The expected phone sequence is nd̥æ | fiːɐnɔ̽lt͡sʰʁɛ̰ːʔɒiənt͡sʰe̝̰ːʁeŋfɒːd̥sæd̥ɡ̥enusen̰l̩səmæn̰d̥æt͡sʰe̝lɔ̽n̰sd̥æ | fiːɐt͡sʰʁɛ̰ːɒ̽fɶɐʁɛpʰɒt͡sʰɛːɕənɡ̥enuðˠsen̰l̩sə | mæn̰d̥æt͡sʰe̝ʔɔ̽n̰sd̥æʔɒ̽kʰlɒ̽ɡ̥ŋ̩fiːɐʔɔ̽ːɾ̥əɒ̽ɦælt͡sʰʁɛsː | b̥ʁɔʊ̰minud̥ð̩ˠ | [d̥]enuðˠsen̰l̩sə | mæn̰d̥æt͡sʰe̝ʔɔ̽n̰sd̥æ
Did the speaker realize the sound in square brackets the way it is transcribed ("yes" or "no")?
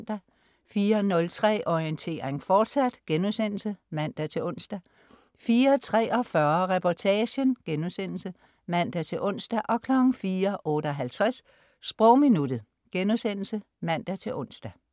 no